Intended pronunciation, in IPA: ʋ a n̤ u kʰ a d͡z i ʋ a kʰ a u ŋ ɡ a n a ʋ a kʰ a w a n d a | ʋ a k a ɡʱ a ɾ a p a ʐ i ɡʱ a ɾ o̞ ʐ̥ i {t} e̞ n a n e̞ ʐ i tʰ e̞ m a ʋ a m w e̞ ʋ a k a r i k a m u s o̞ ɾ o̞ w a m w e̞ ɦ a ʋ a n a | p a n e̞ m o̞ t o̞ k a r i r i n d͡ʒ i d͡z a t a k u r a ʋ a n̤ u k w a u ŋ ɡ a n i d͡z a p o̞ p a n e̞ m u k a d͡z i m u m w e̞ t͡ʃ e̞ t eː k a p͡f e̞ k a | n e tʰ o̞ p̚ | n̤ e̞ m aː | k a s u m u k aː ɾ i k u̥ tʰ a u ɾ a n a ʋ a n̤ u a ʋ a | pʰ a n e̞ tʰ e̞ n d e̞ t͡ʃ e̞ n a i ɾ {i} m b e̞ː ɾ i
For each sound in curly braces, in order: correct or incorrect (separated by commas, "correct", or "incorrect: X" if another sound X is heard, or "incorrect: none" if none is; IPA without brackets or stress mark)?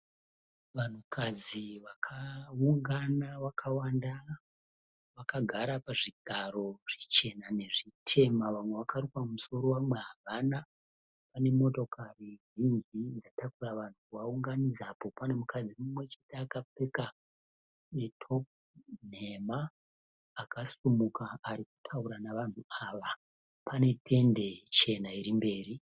incorrect: t͡ʃ, correct